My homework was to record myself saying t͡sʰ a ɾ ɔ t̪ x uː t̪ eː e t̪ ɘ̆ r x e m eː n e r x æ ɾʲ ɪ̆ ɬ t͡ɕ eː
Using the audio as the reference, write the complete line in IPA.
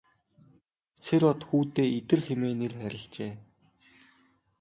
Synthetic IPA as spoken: t͡sʰ e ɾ ɔ t̪ x uː t̪ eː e t̪ ɘ̆ r x e m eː n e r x æ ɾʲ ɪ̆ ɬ t͡ɕ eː